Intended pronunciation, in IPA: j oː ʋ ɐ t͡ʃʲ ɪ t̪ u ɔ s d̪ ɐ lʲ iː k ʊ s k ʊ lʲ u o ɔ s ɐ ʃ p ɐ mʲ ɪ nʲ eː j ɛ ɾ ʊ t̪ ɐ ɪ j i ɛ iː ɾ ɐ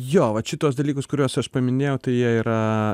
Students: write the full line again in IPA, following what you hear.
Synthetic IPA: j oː ʋ ɐ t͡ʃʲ ɪ t̪ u ɔ s d̪ ɐ lʲ iː k ʊ s k ʊ ɾʲ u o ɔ s ɐ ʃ p ɐ mʲ ɪ nʲ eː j ɛ ʊ t̪ ɐ ɪ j i ɛ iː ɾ ɐ